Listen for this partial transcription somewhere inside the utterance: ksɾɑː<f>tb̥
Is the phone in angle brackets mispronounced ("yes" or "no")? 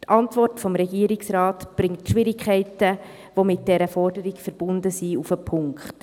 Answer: yes